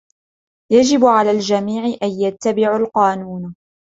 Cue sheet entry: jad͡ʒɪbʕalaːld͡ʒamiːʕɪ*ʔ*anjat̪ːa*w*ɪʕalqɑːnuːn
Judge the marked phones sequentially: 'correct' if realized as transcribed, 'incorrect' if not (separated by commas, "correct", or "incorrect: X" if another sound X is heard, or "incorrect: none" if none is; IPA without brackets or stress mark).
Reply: correct, incorrect: b